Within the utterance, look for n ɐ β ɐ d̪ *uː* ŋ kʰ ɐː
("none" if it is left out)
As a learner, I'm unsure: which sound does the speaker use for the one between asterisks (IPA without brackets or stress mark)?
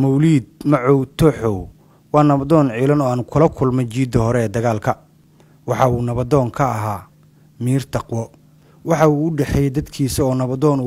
ɔː